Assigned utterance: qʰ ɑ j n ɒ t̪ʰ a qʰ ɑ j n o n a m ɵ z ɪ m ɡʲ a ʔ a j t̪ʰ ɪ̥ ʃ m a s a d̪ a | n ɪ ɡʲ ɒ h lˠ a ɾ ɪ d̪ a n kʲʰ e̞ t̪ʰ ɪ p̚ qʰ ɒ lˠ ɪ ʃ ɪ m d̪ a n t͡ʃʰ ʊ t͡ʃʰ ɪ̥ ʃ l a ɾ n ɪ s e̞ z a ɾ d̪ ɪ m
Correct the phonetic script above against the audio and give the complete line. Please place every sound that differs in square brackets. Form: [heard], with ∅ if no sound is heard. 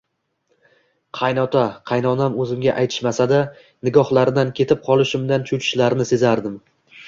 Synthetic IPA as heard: qʰ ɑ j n ɒ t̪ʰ a qʰ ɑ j n [ɒ] n a m ɵ z ɪ m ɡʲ a ʔ a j t̪ʰ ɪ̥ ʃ m a s a d̪ a | n ɪ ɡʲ ɒ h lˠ a ɾ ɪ d̪ a n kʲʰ e̞ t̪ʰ ɪ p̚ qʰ ɒ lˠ ɪ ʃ ɪ m d̪ a n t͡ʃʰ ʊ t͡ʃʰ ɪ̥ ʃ l a ɾ n ɪ s e̞ z a ɾ d̪ ɪ m